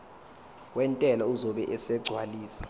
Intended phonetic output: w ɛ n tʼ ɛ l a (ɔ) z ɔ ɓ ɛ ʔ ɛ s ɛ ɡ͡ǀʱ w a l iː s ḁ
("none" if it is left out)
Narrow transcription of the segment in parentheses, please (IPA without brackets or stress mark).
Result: u